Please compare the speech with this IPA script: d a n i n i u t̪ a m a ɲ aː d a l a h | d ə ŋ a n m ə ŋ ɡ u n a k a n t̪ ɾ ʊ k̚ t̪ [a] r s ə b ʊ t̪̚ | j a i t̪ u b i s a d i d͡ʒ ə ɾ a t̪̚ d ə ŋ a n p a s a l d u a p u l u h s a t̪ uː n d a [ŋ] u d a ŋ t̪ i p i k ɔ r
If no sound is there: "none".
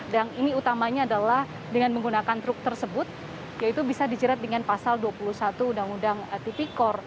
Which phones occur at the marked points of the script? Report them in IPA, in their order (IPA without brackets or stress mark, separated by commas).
ə, ŋ